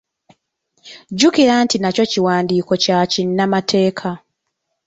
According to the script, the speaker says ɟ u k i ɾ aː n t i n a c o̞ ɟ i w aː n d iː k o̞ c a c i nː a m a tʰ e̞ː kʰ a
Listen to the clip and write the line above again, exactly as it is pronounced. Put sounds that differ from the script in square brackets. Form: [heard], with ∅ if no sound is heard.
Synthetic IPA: ɟ u k i ɾ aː n t i n a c o̞ [c] i w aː n d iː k o̞ c a c i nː a m a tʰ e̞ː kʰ a